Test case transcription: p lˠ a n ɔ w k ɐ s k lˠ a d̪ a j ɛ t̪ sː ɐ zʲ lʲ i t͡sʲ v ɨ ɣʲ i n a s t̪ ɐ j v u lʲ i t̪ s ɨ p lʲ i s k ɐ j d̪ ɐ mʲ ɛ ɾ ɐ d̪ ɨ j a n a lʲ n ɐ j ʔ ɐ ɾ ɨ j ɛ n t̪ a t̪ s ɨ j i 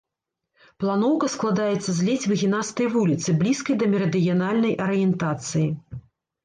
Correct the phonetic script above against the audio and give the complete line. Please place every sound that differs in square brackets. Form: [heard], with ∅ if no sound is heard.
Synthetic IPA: p lˠ a n ɔ w k ɐ s k lˠ a d̪ a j ɛ t̪ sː ɐ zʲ lʲ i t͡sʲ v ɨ ɣʲ i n a s t̪ ɐ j v u lʲ i t̪ s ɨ [b] lʲ i s k ɐ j d̪ ɐ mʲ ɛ ɾ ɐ d̪ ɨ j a n a lʲ n ɐ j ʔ ɐ ɾ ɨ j ɛ n t̪ a t̪ s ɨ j i